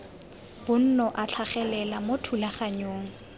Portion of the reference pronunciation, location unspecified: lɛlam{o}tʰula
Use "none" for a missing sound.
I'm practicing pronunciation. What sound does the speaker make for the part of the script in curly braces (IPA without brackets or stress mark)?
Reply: o